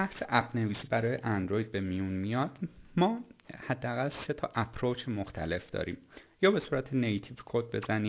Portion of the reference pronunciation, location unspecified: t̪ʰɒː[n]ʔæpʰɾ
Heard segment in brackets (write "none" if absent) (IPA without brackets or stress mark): none